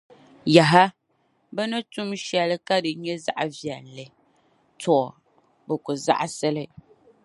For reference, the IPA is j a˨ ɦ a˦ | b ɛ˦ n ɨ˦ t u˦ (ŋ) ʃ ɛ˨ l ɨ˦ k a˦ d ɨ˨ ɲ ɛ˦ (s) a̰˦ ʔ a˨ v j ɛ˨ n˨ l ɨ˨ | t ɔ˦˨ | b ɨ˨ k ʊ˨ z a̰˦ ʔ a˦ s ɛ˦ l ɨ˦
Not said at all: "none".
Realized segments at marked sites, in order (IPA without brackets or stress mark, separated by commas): m, z